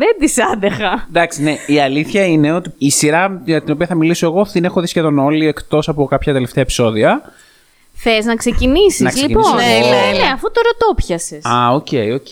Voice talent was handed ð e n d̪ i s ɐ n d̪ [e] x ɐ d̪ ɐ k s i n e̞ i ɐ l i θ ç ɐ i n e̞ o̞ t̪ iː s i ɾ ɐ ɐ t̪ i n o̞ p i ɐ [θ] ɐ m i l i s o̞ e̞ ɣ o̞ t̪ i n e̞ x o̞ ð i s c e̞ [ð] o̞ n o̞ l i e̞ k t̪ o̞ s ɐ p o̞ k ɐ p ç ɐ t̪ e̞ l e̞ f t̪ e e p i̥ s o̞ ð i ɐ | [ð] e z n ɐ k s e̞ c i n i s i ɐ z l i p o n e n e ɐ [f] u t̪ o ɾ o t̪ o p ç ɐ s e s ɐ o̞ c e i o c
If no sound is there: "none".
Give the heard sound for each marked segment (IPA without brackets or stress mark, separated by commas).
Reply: e, θ, ð, θ, f